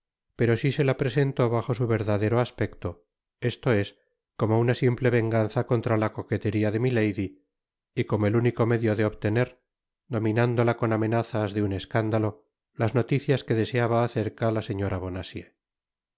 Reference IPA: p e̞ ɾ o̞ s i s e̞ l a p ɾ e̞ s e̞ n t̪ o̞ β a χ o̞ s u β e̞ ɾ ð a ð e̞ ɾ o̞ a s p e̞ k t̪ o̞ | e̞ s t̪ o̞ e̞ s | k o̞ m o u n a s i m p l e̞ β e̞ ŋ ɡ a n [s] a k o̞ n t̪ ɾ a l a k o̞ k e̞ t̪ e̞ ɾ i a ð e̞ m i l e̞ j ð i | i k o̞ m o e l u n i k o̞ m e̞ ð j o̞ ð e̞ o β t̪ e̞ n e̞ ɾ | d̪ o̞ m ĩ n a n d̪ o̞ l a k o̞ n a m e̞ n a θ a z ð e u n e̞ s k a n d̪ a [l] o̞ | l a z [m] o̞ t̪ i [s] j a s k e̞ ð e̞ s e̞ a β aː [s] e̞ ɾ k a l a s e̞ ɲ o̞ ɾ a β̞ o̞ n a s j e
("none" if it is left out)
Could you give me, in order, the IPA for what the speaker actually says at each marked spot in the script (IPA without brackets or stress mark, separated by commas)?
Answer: θ, l, n, θ, θ